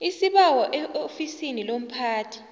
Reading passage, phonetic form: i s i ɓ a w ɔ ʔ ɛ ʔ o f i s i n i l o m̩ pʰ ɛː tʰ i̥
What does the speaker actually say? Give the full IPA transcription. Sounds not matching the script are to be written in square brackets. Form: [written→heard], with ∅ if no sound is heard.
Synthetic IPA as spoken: i s i ɓ a w ɔ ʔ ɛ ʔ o f i s i n i l o m̩ pʰ [ɛː→aː] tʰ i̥